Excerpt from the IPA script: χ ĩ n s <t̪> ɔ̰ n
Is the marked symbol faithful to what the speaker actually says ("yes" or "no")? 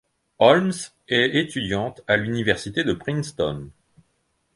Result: yes